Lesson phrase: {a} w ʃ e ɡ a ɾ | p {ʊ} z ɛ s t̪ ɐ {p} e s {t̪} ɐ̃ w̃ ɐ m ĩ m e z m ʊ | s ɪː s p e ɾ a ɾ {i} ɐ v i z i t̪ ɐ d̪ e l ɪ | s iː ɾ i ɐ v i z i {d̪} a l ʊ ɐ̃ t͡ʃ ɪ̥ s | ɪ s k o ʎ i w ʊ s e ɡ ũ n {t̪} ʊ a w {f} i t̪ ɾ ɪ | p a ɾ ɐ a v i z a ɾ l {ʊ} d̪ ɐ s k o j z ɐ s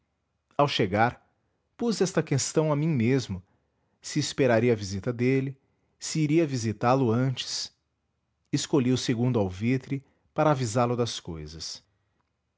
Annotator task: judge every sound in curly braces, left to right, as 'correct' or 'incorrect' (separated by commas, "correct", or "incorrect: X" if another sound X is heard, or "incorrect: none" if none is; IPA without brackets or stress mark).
correct, incorrect: u, incorrect: k, correct, correct, incorrect: t̪, incorrect: d̪, incorrect: v, correct